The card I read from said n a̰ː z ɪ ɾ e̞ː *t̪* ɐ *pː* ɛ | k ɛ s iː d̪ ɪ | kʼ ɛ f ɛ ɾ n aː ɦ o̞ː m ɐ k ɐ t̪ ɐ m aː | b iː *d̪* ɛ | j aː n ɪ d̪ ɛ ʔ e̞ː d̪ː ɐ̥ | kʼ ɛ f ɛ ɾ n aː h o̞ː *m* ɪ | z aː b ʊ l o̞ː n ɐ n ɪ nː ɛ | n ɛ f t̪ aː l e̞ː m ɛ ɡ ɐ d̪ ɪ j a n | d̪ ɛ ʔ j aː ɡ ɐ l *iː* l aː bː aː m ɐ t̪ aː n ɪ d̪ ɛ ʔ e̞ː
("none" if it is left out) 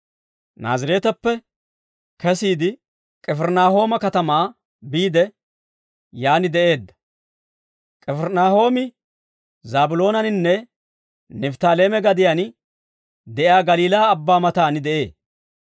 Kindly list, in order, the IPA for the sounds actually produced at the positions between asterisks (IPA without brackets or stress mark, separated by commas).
t̪, pː, d̪, m, iː